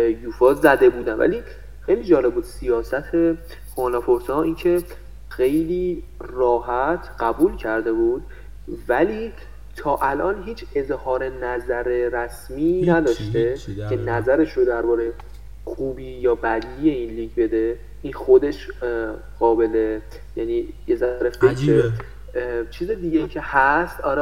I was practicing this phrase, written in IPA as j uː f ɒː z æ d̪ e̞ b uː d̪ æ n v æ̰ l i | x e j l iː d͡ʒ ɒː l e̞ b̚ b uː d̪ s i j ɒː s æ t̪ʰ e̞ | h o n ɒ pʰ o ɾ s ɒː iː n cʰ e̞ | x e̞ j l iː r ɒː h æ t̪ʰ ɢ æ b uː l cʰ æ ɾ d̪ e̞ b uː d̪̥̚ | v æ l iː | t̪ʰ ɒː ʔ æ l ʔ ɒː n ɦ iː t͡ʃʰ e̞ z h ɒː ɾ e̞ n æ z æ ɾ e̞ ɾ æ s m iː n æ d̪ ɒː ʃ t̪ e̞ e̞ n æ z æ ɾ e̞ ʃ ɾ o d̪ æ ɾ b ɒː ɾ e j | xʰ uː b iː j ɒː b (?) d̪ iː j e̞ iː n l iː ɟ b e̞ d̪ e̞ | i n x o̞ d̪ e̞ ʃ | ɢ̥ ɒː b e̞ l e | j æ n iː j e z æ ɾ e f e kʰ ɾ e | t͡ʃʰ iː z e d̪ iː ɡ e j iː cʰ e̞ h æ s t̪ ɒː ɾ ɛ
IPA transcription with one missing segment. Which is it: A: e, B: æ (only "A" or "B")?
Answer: B